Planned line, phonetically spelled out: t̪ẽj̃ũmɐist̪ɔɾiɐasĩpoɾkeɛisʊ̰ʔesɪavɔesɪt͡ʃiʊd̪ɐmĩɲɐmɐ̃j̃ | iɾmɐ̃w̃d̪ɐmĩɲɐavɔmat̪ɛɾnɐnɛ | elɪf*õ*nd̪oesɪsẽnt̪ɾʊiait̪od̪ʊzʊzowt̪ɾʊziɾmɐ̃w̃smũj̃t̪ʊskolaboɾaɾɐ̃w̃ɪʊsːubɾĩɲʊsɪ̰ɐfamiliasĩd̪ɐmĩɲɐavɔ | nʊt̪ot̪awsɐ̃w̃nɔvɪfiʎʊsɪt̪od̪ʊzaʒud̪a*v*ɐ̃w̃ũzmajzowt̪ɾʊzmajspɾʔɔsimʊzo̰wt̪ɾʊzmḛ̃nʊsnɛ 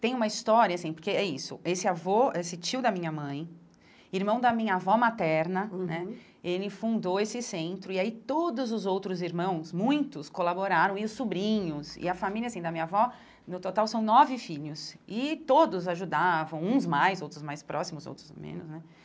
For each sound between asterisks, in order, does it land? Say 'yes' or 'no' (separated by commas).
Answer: no, yes